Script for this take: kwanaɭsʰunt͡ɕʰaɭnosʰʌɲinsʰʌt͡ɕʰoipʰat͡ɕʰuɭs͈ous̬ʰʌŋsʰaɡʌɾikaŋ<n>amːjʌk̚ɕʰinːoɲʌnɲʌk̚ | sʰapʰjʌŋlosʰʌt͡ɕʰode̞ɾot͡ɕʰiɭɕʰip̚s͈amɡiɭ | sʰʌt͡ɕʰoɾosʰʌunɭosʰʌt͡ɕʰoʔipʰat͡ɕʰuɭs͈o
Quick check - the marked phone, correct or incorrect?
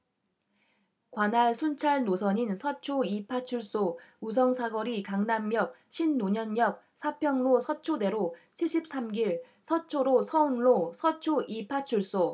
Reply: correct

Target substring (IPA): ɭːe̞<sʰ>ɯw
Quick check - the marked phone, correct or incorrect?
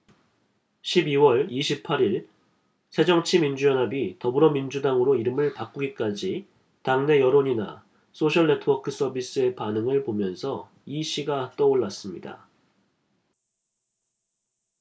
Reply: incorrect: tʰ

